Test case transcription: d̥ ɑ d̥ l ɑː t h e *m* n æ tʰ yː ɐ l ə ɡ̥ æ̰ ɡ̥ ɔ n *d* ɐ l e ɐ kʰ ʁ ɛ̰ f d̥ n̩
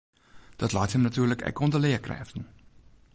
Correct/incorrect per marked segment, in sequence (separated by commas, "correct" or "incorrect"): correct, correct